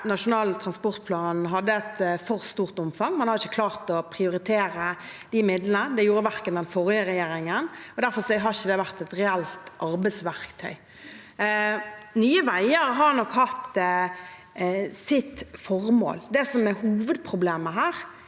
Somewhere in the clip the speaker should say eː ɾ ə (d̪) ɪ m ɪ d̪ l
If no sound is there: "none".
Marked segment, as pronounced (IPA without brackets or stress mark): d̪